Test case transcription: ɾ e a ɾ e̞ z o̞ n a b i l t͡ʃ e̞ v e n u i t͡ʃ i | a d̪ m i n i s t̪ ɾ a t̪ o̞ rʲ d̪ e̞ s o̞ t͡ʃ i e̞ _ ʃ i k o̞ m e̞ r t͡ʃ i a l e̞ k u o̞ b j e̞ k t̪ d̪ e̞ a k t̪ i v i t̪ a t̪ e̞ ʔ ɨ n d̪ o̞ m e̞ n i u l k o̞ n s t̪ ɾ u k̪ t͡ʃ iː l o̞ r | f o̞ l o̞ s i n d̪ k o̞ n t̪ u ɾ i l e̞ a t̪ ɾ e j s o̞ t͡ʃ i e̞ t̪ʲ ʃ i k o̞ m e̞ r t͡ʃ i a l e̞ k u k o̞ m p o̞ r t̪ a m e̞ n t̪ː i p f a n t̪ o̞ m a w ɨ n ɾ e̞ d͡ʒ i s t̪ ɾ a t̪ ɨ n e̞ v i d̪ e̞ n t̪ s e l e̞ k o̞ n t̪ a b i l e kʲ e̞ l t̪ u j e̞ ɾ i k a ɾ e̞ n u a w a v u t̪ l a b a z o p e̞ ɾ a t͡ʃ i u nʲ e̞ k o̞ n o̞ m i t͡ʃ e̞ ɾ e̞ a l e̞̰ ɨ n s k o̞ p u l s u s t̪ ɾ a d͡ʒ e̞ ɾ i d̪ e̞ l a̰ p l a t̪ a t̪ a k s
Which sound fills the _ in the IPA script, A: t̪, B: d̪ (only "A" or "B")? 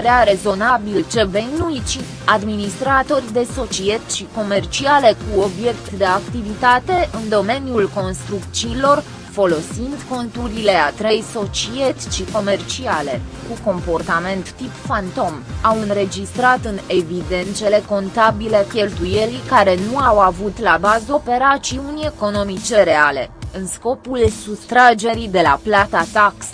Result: A